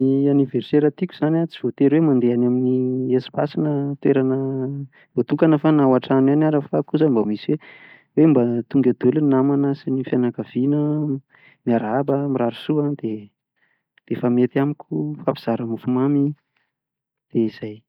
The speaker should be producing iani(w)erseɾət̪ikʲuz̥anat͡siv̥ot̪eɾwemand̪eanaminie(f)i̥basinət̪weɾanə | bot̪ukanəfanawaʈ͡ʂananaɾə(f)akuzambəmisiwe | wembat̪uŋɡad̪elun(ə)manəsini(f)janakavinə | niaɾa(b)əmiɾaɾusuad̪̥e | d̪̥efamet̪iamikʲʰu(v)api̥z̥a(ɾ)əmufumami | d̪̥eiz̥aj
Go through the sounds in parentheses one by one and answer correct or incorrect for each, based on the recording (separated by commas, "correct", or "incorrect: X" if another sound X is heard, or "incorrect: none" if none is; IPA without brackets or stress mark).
incorrect: v, incorrect: s, correct, incorrect: a, correct, correct, incorrect: f, correct